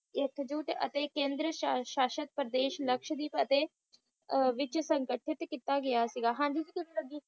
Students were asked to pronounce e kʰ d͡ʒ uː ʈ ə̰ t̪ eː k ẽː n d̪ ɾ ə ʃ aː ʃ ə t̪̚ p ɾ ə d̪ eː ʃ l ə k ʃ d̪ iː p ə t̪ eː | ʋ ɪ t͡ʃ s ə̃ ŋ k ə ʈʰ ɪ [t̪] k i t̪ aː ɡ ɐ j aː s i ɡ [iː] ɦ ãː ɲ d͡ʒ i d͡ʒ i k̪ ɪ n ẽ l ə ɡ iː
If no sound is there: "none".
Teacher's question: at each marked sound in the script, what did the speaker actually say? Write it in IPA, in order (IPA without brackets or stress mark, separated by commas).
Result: t̪, aː